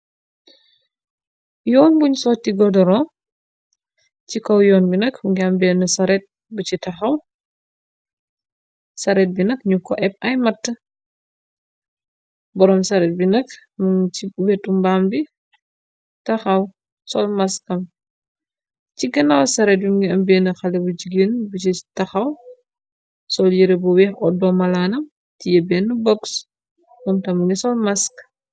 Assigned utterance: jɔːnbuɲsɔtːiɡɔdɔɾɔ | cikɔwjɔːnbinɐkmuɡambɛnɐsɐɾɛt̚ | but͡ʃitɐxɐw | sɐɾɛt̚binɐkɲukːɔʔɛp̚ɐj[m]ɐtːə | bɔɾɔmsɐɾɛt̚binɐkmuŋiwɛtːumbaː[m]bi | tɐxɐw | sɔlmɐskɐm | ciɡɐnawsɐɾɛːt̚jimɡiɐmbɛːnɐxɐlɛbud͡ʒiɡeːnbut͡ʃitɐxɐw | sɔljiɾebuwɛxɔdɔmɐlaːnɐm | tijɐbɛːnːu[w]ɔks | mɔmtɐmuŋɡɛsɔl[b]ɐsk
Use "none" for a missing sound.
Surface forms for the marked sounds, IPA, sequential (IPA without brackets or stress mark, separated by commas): m, m, b, m